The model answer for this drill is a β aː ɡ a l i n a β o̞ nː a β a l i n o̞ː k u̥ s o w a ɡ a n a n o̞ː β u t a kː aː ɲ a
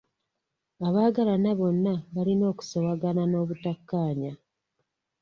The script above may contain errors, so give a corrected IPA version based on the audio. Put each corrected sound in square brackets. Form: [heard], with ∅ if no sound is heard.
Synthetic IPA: a β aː ɡ a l [a] n a β o̞ nː a β a l i n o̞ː k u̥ s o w a ɡ a n a n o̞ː β u t a kː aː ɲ a

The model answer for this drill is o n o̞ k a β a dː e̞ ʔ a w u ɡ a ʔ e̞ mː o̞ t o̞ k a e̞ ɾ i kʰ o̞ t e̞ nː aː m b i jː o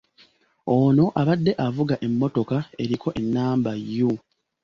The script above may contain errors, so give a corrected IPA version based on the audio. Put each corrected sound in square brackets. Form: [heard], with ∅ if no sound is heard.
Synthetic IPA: o n o̞ [ʔ] a β a dː e̞ ʔ a [v] u ɡ a ʔ e̞ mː o̞ t o̞ k a e̞ ɾ i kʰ o̞ [ʔ] e̞ nː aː m b [a] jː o

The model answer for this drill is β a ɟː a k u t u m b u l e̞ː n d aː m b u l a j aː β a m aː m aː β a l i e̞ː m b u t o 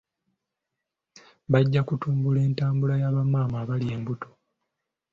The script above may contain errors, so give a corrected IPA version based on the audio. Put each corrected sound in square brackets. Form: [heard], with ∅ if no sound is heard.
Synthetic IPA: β a ɟː a k u t [uː] m b u l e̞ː n [t] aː m b u l a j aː β a m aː m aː β a l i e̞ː m b u t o

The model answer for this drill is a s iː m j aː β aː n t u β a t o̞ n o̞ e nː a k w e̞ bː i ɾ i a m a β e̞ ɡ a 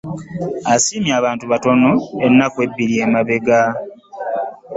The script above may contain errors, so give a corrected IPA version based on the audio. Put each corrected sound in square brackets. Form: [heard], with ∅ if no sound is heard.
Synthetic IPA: a s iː m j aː β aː n t u β a t o̞ n o̞ e nː a k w e̞ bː i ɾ i [e] m a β e̞ ɡ a

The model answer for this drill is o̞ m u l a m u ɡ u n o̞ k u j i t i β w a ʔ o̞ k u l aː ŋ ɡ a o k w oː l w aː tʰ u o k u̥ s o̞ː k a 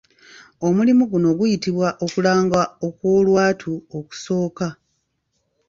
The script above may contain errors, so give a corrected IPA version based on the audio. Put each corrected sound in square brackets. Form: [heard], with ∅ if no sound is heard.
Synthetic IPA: o̞ m u l [i] m u ɡ u n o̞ [ɡ] u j i t i β w a ʔ o̞ k u l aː ŋ ɡ a o k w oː l w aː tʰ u o k u̥ s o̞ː k a

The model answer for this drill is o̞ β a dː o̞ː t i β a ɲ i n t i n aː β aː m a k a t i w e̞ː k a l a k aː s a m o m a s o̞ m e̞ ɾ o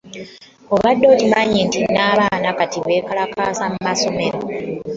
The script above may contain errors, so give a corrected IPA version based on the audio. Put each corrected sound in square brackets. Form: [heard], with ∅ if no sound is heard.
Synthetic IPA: o̞ β a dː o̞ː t i β a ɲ i n t i n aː β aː [n] a k a t i [β] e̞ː k a l a k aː s a m [u] m a s o̞ m e̞ ɾ o

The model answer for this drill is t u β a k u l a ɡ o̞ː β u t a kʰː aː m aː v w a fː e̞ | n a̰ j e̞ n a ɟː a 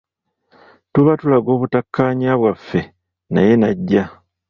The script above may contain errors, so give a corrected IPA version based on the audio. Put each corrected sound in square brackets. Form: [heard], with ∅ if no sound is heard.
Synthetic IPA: t u β a [t] u l a ɡ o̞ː β u t a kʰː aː [ɲ] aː [β] w a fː e̞ | n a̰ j e̞ n a ɟː a

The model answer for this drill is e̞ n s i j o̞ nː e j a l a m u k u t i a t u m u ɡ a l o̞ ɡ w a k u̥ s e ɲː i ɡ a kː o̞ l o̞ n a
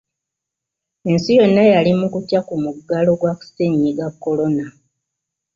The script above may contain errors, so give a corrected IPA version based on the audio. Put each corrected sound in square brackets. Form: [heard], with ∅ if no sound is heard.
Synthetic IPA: e̞ n s i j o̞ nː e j a l [i] m u k u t [j] a [k] u m u ɡ a l o̞ ɡ w a k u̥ s e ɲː i ɡ a kː o̞ l o̞ n a

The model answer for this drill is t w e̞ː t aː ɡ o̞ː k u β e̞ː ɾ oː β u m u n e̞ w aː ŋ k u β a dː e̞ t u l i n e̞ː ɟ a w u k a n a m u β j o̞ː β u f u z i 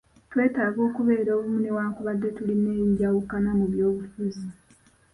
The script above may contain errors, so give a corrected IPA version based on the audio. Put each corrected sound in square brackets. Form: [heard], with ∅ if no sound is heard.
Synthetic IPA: t w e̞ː t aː ɡ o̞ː k u β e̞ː ɾ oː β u m u n e̞ w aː ŋ k u β a dː e̞ t u l i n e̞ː ɟ a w u k a n a m u β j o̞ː β u f u z i

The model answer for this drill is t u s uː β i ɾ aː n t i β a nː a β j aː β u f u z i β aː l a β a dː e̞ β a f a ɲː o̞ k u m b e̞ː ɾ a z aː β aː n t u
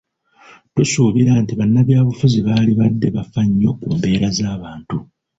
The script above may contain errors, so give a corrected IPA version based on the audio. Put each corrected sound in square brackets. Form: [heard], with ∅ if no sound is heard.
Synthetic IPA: t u s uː β i ɾ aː n t i β a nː a β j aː β u f u z i β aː l [i] β a dː e̞ β a f a ɲː o̞ k u m b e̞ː ɾ a z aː β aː n t u

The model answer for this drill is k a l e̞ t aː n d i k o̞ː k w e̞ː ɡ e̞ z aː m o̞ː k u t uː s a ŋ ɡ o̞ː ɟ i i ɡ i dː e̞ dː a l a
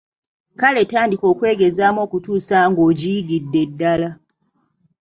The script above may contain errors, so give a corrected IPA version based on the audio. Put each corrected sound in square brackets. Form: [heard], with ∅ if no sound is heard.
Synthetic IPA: k a l e̞ t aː n d i k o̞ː k w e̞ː ɡ e̞ z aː m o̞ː k u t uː s a ŋ ɡ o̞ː ɟ i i ɡ i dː e̞ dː a l a

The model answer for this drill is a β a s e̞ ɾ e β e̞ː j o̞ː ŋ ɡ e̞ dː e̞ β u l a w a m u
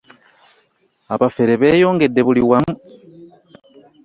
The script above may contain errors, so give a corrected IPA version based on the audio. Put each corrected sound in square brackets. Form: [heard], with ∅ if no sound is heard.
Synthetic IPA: a β a [f] e̞ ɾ e β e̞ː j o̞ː ŋ ɡ e̞ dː e̞ β u l [i] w a m u

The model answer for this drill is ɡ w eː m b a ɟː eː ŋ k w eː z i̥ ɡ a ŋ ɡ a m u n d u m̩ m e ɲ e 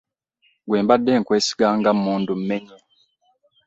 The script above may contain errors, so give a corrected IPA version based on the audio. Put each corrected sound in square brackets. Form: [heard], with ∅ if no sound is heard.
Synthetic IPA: ɡ w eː m b a [dː] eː ŋ k w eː [s] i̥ ɡ a ŋ ɡ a m [uː] n d u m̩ m e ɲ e

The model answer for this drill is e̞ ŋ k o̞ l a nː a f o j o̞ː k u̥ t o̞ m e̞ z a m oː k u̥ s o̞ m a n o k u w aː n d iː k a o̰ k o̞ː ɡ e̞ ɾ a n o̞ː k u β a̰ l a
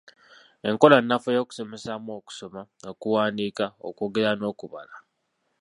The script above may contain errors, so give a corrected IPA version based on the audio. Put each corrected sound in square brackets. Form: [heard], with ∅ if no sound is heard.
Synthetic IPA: e̞ ŋ k o̞ l a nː a f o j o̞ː k u̥ [s] o̞ m e̞ [s] a m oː k u̥ s o̞ m a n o k u w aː n d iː k a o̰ k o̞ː ɡ e̞ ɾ a n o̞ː k u β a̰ l a

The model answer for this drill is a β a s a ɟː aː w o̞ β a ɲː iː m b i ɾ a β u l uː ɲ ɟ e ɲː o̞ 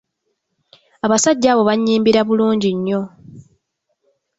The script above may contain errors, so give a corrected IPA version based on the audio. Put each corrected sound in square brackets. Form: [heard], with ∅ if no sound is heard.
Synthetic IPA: a β a s a ɟː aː [β] o̞ β a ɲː iː m b i ɾ a β u l uː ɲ ɟ [i] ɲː o̞

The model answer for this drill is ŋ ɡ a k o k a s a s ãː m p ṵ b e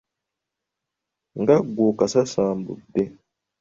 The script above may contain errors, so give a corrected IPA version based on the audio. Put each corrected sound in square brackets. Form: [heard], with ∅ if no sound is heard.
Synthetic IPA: ŋ ɡ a [ɡ] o k a s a s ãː m [b] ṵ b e

